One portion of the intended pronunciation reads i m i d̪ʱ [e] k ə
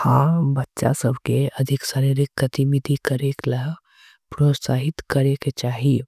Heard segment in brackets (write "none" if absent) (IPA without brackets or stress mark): i